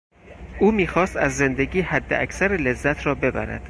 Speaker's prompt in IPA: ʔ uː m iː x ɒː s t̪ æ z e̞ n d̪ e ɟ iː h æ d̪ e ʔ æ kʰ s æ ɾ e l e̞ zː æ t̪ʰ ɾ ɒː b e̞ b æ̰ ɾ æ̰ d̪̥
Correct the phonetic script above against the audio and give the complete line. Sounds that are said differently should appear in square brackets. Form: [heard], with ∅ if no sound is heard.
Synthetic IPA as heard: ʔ uː m iː x ɒː s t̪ æ [zː] e̞ n d̪ e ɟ iː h æ [d̪ː] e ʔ æ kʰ s æ ɾ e l e̞ zː æ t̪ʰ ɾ ɒː b e̞ b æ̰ ɾ æ̰ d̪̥